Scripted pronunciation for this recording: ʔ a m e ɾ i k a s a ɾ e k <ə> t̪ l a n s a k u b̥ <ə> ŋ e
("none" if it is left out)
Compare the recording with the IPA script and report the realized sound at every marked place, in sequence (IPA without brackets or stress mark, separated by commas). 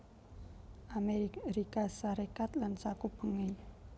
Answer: a, ə